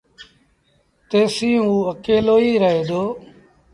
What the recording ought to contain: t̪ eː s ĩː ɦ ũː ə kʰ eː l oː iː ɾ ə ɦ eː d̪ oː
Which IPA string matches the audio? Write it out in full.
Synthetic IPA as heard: t̪ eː s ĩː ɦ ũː ə k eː l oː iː ɾ ə ɦ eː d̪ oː

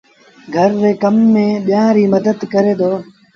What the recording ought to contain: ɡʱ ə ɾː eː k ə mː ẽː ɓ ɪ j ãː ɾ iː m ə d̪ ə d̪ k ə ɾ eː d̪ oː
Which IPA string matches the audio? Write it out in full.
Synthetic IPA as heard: ɡʱ ə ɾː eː k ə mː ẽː ɓ ɪ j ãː ɾ iː m ə d̪ ə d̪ k ə ɾ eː d̪ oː

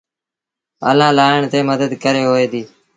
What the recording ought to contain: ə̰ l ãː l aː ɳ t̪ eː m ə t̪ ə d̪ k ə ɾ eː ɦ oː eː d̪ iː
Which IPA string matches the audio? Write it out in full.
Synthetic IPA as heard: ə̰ l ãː l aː ɳ t̪ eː m ə d̪ ə d̪ k ə ɾ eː ɦ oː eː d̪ iː

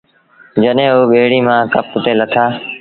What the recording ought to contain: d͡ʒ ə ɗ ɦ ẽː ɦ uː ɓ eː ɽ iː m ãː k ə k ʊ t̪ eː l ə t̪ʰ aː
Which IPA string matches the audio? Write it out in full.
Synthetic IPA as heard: d͡ʒ ə ɗ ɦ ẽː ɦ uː ɓ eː ɽ iː m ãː k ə p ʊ t̪ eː l ə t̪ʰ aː

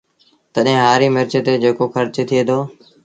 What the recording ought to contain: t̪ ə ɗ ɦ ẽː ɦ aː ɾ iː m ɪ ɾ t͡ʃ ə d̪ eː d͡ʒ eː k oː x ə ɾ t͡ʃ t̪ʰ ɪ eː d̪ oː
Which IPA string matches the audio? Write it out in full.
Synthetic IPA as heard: t̪ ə ɗ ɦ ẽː ɦ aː ɾ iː m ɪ ɾ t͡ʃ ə t̪ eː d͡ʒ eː k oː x ə ɾ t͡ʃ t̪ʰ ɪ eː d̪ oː

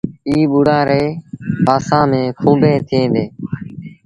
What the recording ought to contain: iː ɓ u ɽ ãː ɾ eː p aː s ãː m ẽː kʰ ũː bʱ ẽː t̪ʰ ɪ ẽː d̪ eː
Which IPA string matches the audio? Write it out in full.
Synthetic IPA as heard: iː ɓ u ɽ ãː ɾ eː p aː s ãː m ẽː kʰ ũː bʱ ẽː t̪ʰ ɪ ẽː d̪ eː

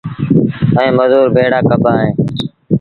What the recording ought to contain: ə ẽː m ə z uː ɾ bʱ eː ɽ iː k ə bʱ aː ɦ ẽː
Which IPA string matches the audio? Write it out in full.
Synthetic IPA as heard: ə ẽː m ə z uː ɾ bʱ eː ɽ aː k ə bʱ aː ɦ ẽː

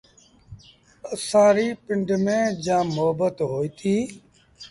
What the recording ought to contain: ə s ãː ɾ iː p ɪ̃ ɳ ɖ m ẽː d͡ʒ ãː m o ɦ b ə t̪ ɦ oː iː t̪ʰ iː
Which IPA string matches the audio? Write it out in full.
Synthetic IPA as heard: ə s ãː ɾ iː p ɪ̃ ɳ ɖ m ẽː d͡ʒ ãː m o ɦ b ə t̪ ɦ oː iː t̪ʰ iː

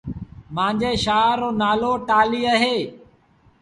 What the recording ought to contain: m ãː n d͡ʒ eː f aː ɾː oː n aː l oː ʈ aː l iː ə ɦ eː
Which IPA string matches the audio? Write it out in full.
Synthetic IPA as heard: m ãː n d͡ʒ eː ʃ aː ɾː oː n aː l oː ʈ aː l iː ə ɦ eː

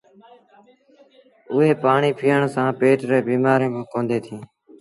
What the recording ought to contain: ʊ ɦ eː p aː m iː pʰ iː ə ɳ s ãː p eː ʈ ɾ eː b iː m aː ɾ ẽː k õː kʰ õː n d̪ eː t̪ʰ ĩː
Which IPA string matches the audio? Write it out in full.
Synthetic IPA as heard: ʊ ɦ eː p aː ɳ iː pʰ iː ə ɳ s ãː p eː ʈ ɾ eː b iː m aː ɾ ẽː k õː k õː n d̪ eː t̪ʰ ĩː

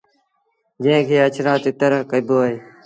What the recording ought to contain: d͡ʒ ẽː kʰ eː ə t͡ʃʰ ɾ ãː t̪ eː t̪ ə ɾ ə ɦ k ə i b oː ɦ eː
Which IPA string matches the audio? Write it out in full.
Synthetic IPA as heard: d͡ʒ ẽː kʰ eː ə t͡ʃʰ ɾ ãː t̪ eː t̪ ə ɾ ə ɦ k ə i b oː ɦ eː

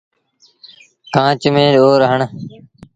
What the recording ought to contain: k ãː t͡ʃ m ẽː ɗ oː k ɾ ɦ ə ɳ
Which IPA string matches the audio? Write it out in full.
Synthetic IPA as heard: k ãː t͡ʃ m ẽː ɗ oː ɾ ɦ ə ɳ

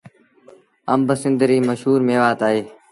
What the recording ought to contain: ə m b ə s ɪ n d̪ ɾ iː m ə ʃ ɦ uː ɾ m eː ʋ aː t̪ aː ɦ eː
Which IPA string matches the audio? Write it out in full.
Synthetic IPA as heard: ə m b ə s ɪ n d̪ ɾ iː m ə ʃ ɦ uː ɾ m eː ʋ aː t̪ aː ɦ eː

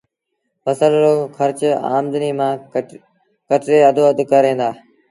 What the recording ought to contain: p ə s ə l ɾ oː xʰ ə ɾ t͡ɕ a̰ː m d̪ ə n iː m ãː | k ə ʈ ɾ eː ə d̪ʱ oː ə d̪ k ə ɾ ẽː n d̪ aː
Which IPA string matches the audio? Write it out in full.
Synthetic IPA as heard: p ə s ə l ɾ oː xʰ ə ɾ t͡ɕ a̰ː m d̪ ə n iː m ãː | k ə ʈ ɾ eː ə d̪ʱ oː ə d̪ k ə ɾ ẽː n d̪ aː

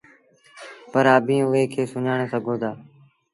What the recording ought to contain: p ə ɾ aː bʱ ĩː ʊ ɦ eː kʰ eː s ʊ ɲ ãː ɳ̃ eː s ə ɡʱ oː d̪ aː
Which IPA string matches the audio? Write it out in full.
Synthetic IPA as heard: p ə ɾ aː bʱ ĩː ʊ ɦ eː kʰ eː s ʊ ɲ aː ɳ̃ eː s ə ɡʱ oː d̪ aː

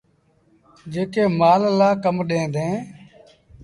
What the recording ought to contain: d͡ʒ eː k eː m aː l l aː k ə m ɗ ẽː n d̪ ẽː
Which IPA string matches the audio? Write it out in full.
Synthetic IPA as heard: d͡ʒ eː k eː m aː l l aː k ə m ɗ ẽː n d̪ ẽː

